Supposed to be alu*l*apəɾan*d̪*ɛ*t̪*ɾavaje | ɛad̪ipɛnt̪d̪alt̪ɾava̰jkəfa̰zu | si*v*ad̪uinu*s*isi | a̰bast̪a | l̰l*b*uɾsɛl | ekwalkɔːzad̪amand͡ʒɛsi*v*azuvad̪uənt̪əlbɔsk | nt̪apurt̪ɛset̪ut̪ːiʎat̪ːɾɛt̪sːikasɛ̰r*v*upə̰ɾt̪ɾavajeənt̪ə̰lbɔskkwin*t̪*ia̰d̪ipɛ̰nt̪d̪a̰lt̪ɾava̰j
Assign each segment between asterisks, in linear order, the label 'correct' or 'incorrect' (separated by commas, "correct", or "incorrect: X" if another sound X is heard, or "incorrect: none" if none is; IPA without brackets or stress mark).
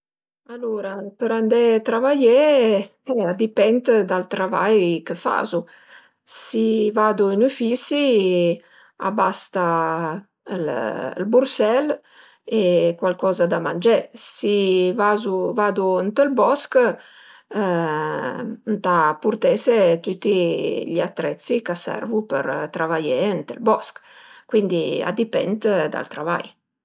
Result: incorrect: ɾ, correct, correct, correct, incorrect: f, correct, correct, correct, incorrect: d̪